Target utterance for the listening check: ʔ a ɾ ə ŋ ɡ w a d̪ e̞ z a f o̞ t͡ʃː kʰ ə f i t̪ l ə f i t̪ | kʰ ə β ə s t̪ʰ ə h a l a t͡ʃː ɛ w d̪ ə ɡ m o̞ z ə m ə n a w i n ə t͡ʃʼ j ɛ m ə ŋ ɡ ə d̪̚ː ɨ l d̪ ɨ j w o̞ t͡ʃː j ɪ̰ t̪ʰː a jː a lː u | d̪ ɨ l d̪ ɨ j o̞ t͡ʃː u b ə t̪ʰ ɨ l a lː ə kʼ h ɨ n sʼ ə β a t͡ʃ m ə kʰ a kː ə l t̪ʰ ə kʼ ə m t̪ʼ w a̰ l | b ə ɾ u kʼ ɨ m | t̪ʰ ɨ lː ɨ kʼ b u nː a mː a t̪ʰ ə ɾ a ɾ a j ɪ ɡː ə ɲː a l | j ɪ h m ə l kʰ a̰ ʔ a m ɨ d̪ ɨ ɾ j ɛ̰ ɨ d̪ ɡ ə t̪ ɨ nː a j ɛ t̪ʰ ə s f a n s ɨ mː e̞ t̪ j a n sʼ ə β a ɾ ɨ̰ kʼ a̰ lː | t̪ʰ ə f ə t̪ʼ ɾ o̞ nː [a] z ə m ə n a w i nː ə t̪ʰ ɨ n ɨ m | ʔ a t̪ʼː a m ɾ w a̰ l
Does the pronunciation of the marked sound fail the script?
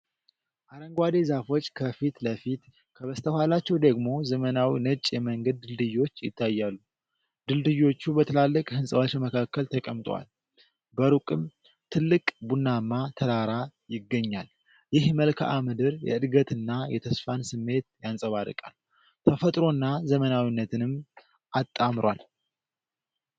no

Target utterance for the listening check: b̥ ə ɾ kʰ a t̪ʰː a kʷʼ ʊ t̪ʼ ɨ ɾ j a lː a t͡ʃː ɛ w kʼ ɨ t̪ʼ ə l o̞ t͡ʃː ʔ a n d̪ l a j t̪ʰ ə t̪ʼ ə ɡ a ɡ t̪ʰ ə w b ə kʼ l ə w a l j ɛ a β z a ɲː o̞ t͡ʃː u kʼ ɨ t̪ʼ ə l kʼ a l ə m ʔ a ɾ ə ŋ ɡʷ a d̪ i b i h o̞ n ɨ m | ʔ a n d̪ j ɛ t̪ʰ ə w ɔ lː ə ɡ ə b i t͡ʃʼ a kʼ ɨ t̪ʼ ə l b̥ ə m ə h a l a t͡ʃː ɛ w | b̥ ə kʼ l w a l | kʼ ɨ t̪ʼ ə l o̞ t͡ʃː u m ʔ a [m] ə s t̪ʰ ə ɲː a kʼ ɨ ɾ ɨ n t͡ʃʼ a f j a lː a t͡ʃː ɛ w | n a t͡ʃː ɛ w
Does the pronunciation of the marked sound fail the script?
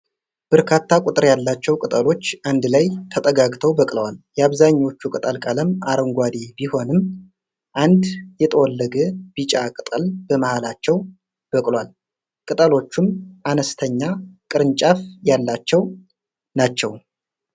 yes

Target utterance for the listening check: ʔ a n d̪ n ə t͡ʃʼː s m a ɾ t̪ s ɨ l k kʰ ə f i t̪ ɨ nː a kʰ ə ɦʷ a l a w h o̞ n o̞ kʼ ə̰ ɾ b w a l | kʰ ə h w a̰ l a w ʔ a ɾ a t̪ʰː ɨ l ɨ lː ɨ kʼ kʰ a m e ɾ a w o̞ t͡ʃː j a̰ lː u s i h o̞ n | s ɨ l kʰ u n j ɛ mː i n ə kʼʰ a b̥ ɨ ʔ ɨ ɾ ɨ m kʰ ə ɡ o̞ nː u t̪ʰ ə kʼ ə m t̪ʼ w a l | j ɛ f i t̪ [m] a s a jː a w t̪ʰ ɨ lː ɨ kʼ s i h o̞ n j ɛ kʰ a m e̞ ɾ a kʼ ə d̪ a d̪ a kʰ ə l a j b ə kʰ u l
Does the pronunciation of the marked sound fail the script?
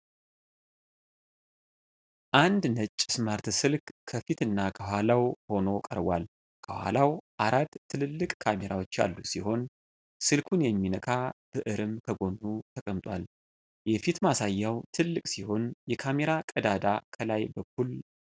no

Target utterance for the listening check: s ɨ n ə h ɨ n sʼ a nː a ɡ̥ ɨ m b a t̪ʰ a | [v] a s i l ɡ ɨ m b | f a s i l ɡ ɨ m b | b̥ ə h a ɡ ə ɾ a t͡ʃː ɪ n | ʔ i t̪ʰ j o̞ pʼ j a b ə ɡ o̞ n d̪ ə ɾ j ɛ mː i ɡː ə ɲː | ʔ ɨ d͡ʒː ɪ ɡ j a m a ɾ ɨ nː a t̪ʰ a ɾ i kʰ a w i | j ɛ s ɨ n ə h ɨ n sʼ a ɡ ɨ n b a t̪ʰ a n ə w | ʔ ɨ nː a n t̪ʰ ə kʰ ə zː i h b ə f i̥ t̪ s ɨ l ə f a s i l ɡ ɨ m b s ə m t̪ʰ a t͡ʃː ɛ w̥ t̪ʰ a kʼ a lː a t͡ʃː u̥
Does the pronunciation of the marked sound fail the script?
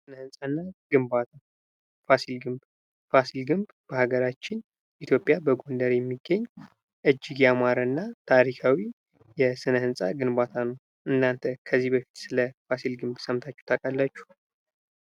yes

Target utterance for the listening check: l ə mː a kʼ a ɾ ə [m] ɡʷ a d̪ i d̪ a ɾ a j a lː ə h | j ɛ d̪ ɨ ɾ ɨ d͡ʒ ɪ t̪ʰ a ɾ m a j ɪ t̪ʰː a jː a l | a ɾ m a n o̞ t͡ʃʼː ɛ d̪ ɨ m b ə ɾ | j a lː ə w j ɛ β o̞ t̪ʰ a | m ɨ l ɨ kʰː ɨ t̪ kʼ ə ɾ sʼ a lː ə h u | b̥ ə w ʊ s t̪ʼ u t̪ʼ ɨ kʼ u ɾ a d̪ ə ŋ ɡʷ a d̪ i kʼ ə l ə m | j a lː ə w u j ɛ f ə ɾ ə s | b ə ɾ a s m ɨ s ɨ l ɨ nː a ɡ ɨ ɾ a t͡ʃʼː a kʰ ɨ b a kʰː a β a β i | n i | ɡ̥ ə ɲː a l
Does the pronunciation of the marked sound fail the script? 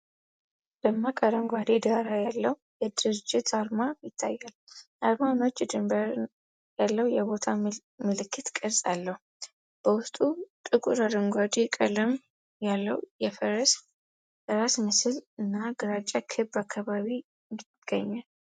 yes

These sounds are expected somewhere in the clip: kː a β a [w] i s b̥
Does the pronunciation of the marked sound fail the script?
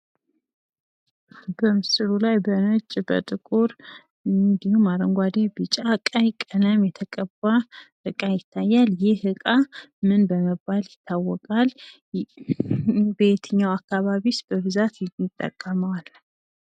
yes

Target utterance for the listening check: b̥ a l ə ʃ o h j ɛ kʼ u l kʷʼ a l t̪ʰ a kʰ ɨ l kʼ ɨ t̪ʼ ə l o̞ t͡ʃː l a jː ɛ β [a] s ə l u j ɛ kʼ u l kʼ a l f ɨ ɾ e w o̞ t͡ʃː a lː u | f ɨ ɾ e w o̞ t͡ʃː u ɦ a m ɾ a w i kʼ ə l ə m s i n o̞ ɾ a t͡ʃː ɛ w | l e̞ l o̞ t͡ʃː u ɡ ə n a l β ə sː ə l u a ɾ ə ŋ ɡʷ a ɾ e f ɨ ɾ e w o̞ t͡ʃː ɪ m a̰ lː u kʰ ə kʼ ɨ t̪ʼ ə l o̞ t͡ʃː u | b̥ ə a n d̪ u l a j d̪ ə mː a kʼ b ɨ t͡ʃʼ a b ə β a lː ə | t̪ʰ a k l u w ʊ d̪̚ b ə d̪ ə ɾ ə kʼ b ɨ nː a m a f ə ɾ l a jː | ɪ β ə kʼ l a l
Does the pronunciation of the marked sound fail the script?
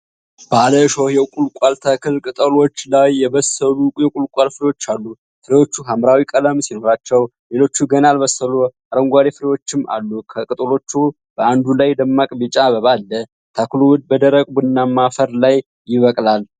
yes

